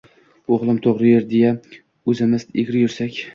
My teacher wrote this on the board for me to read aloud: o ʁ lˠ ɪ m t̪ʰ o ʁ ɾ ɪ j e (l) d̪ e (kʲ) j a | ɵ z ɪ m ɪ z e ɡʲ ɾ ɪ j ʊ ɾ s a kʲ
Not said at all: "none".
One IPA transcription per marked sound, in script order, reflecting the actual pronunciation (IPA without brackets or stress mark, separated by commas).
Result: ɾ, none